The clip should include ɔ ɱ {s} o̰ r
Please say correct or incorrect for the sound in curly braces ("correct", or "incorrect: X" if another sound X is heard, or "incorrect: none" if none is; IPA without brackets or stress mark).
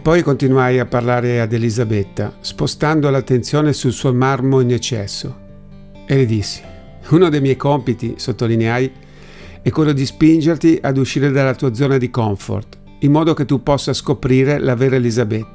incorrect: f